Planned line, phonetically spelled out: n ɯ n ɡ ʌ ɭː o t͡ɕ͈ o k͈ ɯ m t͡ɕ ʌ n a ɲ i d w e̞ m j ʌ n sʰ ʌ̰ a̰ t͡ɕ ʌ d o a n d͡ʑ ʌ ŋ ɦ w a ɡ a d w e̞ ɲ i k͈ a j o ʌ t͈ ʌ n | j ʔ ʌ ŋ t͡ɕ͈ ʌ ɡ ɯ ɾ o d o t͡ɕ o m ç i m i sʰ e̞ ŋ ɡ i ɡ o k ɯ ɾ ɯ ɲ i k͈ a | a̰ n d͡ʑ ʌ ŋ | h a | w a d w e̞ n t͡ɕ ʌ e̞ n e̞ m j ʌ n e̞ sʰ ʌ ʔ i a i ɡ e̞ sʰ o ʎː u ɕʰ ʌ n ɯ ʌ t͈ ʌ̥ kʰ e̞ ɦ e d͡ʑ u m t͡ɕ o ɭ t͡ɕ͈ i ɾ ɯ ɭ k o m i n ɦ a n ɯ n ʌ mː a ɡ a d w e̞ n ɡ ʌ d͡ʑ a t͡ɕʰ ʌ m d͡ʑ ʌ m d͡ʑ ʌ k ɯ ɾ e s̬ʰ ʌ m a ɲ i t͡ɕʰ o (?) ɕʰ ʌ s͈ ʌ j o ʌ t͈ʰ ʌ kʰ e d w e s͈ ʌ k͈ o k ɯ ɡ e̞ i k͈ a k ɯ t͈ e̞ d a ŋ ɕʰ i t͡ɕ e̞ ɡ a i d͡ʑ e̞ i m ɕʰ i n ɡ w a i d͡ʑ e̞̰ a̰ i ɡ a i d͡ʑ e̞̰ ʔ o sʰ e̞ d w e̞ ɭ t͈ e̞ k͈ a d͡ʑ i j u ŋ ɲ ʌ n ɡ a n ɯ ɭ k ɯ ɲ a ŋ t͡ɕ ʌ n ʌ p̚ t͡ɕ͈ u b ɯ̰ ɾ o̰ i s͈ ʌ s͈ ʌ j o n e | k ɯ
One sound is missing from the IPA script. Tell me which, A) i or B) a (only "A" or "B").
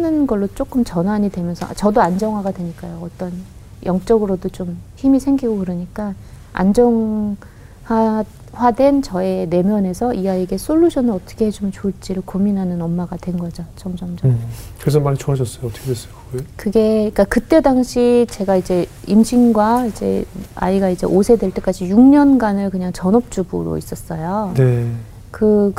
B